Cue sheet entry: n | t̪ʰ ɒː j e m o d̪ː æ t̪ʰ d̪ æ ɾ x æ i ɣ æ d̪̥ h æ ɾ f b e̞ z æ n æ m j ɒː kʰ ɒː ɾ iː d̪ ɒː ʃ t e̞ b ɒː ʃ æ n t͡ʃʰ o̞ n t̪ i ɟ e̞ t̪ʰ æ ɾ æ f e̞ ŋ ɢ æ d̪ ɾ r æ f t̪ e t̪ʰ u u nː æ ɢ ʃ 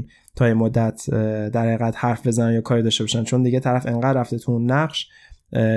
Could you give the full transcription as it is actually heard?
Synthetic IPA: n | t̪ʰ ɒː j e m o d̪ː æ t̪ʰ d̪ æ ɾ h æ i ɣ æ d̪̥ h æ ɾ f b e̞ z æ n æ n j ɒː kʰ ɒː ɾ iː d̪ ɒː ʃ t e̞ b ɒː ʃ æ n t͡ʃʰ o̞ n d̪ i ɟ e̞ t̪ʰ æ ɾ æ f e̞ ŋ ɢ æ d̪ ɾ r æ f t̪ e t̪ʰ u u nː æ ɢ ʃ